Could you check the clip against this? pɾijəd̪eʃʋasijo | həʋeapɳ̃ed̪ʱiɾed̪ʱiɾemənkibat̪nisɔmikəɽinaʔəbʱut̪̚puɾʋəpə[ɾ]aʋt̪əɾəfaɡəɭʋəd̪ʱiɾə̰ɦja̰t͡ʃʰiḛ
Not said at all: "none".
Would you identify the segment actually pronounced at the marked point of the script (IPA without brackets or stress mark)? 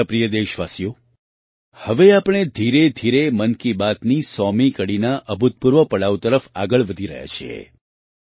ɽ